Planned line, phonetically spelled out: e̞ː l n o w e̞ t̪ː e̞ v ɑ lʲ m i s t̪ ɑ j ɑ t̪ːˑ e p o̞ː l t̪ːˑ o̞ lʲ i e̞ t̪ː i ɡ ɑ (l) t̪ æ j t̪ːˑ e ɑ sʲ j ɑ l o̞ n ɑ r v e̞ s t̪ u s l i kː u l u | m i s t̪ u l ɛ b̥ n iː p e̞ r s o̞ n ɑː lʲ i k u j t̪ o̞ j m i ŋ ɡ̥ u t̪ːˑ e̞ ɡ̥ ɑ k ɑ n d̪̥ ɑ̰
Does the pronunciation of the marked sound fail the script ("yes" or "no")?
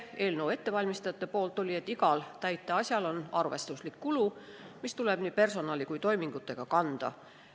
no